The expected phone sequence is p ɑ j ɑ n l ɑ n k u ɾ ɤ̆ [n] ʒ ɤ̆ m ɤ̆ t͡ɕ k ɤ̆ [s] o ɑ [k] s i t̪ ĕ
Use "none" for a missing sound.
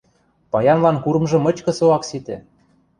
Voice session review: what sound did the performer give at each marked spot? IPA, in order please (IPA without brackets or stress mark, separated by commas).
m, s, k